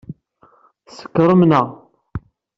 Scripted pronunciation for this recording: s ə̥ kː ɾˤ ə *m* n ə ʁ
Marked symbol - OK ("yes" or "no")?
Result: yes